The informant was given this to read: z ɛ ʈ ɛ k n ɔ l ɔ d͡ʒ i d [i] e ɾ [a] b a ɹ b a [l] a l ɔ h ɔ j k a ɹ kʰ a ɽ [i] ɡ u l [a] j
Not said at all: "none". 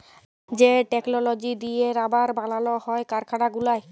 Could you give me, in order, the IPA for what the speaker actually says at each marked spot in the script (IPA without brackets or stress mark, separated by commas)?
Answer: i, a, l, a, a